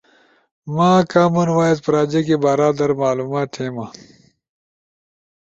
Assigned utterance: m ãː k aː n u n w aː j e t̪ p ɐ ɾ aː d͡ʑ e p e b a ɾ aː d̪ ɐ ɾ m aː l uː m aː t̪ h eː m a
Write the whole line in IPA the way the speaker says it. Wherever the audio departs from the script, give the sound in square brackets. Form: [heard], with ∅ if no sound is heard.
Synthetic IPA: m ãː k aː [m] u n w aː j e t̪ p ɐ ɾ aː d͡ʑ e [k] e b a ɾ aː d̪ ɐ ɾ m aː l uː m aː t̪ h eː m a